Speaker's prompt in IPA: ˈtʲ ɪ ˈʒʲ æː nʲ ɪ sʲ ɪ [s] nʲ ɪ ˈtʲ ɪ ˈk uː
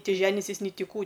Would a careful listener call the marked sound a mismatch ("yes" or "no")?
no